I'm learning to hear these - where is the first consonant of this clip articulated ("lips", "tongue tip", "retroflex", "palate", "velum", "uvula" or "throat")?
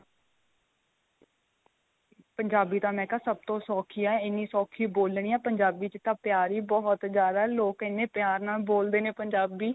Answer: lips